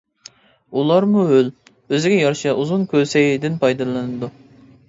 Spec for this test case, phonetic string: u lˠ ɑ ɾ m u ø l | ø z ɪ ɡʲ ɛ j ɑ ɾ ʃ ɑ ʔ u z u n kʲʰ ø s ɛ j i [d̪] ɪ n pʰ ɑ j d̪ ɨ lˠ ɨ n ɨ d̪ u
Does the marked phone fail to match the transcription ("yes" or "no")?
no